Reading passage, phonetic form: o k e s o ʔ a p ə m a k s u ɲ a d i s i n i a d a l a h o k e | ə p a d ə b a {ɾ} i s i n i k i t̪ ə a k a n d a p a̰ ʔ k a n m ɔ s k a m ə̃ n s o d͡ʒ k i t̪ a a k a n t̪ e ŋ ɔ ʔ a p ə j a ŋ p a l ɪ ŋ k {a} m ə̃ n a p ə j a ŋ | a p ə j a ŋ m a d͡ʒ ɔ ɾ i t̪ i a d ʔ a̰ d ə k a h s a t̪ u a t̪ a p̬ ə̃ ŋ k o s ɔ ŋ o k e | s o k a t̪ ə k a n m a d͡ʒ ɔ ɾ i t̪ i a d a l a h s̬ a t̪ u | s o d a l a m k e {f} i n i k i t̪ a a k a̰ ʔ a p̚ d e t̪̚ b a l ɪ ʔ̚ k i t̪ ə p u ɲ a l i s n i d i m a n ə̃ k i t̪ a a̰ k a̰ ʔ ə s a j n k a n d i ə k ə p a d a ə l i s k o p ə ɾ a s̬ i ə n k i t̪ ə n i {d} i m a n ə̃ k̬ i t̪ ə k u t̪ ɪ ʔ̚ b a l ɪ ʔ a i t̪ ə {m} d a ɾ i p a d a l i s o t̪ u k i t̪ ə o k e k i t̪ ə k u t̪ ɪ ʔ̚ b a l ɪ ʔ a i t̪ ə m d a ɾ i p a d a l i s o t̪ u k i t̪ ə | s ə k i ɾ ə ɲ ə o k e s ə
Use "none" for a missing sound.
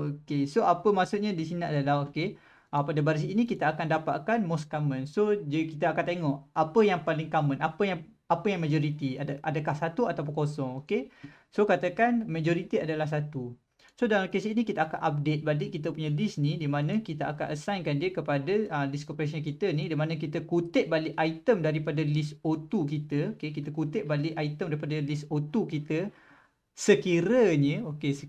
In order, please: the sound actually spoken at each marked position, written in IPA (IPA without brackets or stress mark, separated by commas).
ɾ, a, s, d, m